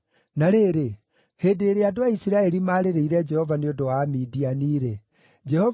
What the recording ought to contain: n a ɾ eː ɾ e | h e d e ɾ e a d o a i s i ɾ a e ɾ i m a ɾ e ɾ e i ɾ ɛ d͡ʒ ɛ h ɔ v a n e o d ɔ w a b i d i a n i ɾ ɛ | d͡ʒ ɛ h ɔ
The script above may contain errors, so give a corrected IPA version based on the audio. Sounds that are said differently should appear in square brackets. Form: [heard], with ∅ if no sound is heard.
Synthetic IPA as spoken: n a ɾ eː ɾ e | h e d e ɾ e a d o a i s i ɾ a e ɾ i m a ɾ e ɾ e i ɾ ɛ d͡ʒ ɛ h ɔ v a n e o d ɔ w a [m] i d i a n i ɾ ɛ | d͡ʒ ɛ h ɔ